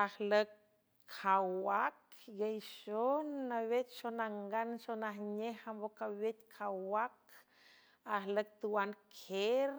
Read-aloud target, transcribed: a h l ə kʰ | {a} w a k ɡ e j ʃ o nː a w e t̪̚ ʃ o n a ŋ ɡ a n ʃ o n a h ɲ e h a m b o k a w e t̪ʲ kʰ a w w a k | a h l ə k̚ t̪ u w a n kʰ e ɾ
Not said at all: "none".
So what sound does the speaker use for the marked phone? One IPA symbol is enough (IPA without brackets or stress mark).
a